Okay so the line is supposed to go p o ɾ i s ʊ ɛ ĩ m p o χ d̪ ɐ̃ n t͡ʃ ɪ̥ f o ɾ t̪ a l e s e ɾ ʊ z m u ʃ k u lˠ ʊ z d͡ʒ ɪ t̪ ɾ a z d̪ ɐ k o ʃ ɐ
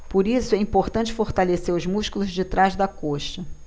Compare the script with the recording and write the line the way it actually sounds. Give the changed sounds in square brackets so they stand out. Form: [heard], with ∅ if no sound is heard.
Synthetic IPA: p o ɾ i s ʊ ɛ ĩ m p o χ [t̪] ɐ̃ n t͡ʃ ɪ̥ f o ɾ t̪ a l e s e ɾ ʊ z m u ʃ k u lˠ ʊ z d͡ʒ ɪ t̪ ɾ a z d̪ ɐ k o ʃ ɐ